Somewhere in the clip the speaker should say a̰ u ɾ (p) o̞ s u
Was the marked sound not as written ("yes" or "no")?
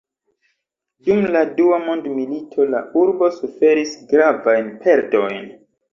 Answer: yes